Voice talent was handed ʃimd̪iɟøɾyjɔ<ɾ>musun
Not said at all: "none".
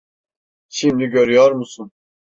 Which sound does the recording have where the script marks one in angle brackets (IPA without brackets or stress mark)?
ɾ